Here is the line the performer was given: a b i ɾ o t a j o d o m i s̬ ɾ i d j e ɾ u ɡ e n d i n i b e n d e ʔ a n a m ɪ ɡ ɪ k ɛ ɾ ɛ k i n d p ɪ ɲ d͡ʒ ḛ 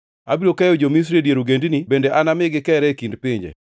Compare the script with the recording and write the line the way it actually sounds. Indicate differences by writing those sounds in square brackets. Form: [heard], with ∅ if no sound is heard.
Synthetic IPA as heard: a b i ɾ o [k] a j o [d͡ʒ] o m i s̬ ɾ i d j e ɾ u ɡ e n d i n i b e n d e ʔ a n a m ɪ ɡ ɪ k ɛ ɾ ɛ k i n d p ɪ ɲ d͡ʒ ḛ